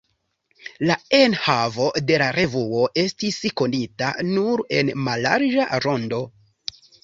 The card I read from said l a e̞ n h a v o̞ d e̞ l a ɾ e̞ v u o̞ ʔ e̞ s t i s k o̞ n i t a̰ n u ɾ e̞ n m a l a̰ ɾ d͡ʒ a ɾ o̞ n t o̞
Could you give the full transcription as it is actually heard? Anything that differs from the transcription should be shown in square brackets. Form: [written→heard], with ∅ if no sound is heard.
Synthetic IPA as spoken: l a e̞ n h a v o̞ d e̞ l a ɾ e̞ v u o̞ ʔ e̞ s t i s k o̞ n i t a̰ n u ɾ e̞ n m a l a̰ ɾ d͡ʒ a ɾ o̞ n [t→d] o̞